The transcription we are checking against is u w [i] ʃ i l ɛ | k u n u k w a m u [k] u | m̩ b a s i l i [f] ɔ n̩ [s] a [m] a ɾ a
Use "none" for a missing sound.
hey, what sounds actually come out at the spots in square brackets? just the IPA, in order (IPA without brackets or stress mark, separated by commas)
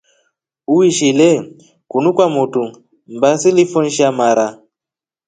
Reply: i, t, f, ʃ, m